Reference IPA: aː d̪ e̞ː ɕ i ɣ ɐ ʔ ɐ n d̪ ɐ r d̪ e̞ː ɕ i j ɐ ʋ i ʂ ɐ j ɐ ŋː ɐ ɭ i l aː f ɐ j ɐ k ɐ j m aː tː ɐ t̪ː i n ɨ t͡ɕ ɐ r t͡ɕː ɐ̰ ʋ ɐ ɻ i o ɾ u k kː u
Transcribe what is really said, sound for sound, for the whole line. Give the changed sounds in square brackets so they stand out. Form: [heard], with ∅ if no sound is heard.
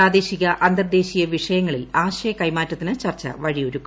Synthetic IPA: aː d̪ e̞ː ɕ i ɣ ɐ ʔ ɐ n d̪ ɐ r d̪ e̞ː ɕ i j ɐ ʋ i ʂ ɐ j ɐ ŋː ɐ ɭ i l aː [ɕ] ɐ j ɐ k ɐ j m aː tː ɐ t̪ː i n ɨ t͡ɕ ɐ r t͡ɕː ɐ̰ ʋ ɐ ɻ i o ɾ u k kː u